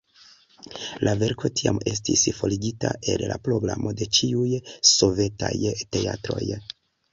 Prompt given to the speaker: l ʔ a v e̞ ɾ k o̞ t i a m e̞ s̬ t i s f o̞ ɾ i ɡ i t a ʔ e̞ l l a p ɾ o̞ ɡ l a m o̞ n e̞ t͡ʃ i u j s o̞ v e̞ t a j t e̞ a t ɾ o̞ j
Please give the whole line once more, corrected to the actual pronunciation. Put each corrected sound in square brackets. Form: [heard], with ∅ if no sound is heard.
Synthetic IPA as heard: l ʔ a v e̞ ɾ k o̞ t i a m e̞ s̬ t i s f o̞ [l] i ɡ i t a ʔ e̞ l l a p ɾ o̞ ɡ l a m o̞ [d] e̞ t͡ʃ i u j s o̞ v e̞ t a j t e̞ a t ɾ o̞ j